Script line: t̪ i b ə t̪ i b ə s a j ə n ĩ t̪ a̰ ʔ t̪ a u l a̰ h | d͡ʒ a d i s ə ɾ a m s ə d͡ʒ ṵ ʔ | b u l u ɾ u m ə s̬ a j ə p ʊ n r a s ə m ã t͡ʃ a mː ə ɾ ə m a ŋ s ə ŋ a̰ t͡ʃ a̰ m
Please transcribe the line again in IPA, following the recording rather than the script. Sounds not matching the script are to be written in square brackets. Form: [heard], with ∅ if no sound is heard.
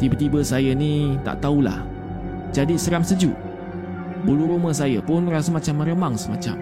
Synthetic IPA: t̪ i b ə t̪ i b ə s a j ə n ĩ t̪ a̰ ʔ t̪ a u l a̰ h | d͡ʒ a d i s ə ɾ a m s ə d͡ʒ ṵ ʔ | b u l u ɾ u m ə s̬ a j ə p ʊ n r a s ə m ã t͡ʃ a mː ə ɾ ə m a ŋ s ə [m] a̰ t͡ʃ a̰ m